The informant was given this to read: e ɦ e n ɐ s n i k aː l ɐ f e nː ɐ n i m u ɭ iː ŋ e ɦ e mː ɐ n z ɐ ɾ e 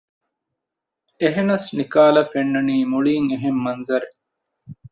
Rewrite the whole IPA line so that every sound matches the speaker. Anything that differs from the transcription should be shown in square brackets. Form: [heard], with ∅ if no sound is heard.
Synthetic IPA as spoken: e ɦ e n ɐ s n i k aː l ɐ f e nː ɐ n [iː] m u ɭ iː ŋ e ɦ e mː ɐ n z ɐ ɾ e